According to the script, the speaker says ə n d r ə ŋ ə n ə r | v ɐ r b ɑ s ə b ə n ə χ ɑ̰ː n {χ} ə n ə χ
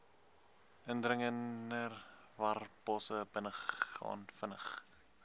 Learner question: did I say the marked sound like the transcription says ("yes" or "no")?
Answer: no